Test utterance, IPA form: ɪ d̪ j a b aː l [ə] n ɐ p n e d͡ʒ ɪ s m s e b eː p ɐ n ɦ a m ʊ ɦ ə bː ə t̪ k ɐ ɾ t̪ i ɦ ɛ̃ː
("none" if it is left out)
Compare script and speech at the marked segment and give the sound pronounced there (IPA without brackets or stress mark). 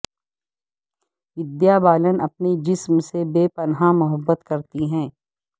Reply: ə